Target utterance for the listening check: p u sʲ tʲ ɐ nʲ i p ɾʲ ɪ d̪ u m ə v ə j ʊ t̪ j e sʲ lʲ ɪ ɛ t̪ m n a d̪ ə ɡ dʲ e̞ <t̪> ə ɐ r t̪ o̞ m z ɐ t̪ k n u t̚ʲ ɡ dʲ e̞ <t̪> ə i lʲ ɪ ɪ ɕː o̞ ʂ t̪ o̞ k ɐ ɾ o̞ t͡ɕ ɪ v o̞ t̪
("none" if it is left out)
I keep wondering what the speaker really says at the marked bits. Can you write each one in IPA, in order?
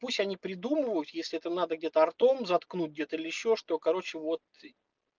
t̪, t̪

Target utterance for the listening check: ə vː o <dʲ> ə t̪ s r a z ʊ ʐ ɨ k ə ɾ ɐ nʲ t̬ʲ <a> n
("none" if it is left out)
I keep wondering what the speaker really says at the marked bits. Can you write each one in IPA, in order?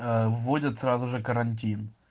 dʲ, i

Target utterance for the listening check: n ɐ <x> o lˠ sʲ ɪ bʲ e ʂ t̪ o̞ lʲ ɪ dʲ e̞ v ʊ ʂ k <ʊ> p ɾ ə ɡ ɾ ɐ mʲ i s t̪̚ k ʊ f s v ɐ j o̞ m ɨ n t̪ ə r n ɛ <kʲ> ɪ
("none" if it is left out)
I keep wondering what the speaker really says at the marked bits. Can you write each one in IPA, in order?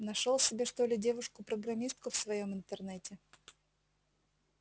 ʂ, ʊ, tʲ

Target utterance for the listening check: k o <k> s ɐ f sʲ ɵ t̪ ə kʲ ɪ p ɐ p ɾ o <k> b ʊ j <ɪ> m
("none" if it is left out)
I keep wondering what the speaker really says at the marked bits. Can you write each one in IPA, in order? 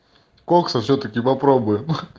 k, none, ɪ

